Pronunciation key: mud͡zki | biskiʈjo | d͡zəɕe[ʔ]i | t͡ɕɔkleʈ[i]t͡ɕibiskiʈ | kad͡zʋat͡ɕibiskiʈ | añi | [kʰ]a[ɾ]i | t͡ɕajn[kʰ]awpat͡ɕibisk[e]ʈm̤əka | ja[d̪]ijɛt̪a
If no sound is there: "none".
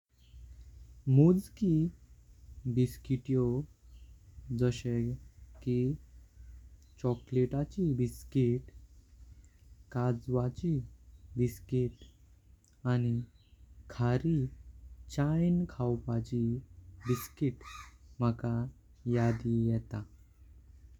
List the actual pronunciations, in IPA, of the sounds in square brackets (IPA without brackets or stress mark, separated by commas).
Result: k, a, kʰ, ɾ, kʰ, i, d̪